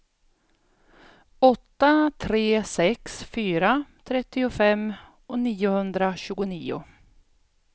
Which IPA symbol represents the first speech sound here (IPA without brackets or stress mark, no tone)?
ɔ